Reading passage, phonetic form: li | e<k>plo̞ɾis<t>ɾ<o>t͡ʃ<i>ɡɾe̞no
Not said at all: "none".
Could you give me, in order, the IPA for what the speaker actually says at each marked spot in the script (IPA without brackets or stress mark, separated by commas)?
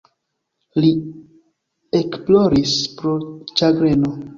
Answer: k, p, o, a